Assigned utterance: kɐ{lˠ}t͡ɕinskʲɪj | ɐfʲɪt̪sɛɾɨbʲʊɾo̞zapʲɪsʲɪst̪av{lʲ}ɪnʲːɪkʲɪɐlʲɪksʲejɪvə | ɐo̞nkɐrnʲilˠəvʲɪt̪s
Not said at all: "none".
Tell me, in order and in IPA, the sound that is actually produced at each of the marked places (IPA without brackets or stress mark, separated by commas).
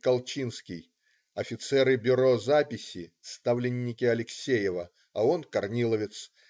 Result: lˠ, lʲ